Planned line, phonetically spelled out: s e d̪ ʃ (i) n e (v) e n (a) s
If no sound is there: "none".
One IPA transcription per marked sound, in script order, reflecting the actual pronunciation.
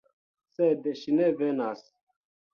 i, v, a

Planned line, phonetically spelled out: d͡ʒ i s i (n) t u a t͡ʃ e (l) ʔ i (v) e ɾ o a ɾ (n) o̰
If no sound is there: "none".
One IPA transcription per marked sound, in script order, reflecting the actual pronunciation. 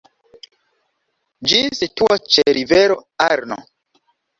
none, ɾ, v, n

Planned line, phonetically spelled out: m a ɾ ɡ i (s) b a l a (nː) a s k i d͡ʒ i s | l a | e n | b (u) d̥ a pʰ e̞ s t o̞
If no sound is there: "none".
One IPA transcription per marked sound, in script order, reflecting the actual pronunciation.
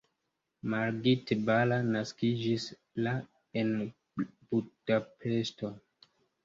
t, n, u

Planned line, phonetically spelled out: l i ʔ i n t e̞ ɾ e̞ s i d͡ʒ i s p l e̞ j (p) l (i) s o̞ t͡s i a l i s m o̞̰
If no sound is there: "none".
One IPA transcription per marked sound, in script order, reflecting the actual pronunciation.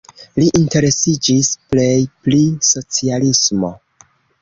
p, i

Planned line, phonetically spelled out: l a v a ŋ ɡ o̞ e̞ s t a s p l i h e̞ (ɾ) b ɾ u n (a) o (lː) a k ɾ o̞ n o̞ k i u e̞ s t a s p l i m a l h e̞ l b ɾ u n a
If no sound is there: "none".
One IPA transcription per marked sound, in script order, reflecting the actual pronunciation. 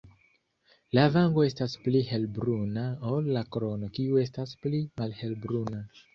l, a, lː

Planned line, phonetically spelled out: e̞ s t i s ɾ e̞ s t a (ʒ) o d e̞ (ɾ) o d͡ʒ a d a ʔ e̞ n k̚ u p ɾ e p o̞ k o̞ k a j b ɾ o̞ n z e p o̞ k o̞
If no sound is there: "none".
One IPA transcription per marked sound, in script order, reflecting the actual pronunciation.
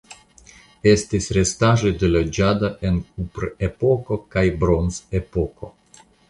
ʒ, l

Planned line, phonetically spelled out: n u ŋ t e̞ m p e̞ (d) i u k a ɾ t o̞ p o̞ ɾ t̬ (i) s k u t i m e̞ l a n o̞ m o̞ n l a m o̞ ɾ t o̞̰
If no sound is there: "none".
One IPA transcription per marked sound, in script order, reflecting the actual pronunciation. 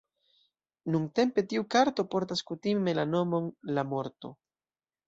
t, a

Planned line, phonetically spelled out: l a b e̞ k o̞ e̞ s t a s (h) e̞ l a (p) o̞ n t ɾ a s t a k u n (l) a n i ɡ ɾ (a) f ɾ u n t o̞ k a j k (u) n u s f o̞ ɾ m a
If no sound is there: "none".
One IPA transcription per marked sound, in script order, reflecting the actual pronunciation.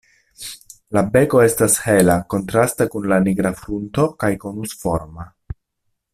h, k, l, a, o

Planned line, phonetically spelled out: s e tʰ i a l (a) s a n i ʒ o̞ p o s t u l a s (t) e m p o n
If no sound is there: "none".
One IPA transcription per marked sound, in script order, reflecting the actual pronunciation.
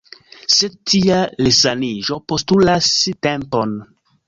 e, t

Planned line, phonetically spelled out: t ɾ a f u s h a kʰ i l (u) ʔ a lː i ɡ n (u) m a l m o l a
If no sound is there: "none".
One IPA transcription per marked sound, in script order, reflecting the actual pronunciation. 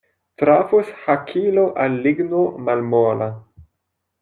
o, o

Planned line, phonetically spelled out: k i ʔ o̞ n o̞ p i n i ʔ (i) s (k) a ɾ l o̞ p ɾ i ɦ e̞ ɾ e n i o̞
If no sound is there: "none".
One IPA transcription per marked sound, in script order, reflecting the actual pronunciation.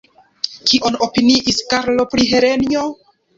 i, k

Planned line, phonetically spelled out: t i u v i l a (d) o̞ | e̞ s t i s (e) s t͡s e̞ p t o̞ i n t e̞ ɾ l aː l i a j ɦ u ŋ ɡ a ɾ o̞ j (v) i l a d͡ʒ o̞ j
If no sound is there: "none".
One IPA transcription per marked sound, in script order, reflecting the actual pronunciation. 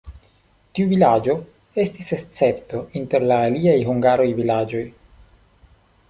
d͡ʒ, e, v

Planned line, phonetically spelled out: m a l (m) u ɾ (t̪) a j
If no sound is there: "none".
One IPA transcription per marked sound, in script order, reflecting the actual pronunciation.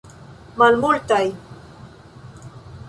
m, t̪

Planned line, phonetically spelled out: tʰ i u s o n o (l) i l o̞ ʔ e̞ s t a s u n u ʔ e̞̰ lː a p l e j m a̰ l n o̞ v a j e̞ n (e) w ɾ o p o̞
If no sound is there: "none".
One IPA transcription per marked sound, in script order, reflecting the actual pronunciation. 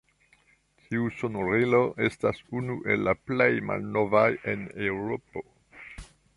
ɾ, e

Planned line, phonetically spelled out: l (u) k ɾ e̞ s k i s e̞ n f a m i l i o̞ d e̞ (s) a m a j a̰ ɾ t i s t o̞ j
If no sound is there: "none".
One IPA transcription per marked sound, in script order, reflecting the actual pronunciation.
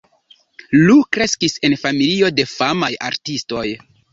u, f

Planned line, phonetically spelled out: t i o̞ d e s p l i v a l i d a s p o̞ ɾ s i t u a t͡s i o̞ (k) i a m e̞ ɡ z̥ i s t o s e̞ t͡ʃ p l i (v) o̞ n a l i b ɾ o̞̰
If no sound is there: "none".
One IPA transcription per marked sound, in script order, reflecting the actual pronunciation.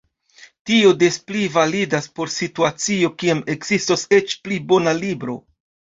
k, b

